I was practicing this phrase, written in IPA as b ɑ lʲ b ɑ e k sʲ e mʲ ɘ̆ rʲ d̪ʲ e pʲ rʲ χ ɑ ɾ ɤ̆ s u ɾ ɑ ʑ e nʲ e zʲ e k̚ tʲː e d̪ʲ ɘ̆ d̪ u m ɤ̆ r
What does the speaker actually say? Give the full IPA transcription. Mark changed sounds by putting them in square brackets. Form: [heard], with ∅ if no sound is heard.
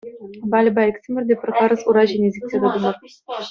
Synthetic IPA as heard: b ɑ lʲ b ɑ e k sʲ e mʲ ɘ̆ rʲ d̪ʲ e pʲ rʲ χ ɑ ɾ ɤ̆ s u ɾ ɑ ʑ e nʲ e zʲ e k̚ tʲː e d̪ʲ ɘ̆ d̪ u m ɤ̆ r